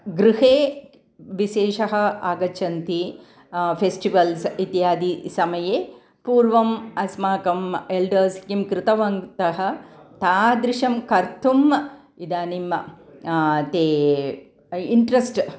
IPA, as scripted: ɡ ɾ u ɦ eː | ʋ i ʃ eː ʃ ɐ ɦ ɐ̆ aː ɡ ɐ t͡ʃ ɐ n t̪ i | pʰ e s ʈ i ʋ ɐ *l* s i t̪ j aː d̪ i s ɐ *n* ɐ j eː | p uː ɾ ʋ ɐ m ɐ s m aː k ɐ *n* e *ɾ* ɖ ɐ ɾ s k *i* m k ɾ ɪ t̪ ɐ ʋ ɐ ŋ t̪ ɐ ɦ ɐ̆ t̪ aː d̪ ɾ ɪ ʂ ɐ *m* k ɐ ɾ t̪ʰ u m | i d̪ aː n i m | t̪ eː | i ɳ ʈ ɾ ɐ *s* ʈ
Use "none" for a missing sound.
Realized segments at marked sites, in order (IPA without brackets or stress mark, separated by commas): l, m, m, l, i, m, s